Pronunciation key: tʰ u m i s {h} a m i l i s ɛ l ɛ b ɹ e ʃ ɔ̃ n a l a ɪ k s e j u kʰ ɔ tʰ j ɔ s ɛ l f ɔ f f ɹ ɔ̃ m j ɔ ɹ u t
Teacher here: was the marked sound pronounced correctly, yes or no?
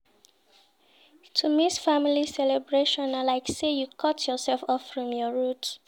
no